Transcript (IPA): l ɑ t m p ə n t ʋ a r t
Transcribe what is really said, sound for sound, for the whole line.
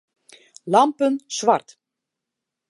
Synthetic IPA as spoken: l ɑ m p ə n s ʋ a r t